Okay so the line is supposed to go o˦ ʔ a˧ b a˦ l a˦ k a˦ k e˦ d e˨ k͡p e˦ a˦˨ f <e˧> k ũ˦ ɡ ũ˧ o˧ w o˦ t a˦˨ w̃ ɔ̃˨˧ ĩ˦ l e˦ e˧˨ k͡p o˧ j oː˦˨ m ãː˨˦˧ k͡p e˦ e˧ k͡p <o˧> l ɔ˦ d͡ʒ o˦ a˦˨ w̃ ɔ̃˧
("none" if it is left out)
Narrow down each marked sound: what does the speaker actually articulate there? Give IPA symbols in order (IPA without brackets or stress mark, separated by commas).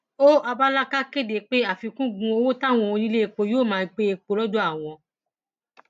i˧, o˧